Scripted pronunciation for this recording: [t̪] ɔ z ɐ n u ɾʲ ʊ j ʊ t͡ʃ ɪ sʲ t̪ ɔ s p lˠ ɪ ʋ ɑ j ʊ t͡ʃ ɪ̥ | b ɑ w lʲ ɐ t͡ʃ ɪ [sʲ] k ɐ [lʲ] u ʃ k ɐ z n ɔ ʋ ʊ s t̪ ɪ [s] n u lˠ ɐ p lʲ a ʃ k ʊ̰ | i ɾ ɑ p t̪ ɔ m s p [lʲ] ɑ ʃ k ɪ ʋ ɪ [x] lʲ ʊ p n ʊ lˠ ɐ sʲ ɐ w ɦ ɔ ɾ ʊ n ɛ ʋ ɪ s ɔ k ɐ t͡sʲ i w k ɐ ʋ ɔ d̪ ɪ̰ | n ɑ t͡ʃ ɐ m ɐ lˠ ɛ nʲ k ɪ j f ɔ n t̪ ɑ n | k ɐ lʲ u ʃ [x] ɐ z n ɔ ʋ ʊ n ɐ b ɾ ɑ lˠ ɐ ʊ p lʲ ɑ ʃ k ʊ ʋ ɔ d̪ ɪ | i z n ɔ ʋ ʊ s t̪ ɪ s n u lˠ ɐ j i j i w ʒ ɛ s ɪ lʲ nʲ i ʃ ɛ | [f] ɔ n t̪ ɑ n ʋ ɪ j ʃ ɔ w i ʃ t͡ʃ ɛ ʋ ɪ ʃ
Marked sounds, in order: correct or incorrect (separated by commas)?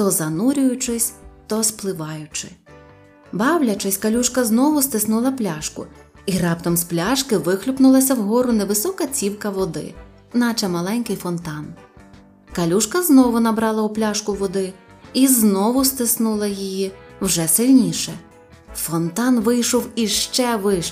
correct, correct, correct, correct, correct, correct, incorrect, correct